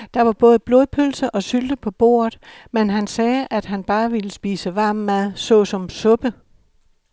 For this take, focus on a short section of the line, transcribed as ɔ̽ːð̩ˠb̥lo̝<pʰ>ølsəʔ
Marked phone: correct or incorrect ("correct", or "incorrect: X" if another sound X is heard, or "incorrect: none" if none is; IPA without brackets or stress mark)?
correct